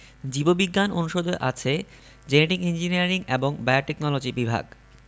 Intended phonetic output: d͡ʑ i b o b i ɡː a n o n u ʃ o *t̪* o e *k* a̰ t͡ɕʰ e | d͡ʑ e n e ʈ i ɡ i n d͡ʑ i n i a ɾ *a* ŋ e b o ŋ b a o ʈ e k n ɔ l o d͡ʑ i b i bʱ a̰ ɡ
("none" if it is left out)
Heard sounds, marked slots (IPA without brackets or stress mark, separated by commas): d̪, ʔ, i